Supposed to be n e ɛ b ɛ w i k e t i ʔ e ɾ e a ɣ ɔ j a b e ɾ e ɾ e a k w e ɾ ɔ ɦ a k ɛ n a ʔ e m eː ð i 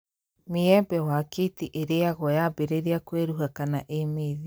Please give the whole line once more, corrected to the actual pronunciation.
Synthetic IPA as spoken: m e ɛ b ɛ w a k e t i ʔ e ɾ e a ɣ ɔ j a b e ɾ e ɾ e a k w e ɾ u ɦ a k a n a ʔ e m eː ð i